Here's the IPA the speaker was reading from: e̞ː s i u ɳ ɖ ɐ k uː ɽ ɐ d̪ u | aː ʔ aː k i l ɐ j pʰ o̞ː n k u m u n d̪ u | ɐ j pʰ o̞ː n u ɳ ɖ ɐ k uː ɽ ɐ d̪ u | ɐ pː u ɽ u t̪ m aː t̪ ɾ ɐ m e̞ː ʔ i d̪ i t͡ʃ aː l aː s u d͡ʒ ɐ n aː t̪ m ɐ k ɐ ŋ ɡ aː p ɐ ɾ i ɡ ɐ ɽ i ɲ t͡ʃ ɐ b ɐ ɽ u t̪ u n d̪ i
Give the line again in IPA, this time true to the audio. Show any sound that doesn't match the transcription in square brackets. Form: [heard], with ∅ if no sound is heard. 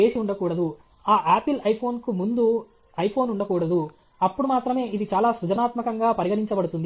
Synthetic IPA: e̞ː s i u ɳ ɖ ɐ k uː ɽ ɐ d̪ u | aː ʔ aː [p] i l ɐ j pʰ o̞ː n k u m u n d̪ u | ɐ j pʰ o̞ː n u ɳ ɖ ɐ k uː ɽ ɐ d̪ u | ɐ pː u ɽ u [∅] m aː t̪ ɾ ɐ m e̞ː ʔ i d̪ i t͡ʃ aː l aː s u d͡ʒ ɐ n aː t̪ m ɐ k ɐ ŋ ɡ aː p ɐ ɾ i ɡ ɐ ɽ i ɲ t͡ʃ ɐ b ɐ ɽ u t̪ u n d̪ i